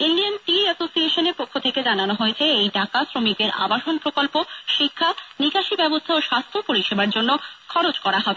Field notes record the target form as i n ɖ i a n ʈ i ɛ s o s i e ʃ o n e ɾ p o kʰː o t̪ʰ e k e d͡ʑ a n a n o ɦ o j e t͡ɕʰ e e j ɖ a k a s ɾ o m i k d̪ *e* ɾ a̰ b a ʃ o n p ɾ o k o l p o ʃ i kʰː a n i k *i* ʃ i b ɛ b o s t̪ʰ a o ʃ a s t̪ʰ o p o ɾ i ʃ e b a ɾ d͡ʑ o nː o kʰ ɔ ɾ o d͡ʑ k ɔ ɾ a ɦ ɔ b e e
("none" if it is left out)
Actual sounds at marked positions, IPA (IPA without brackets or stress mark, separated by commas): e, a